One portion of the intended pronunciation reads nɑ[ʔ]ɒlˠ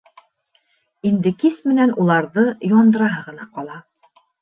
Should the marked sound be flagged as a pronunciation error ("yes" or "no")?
yes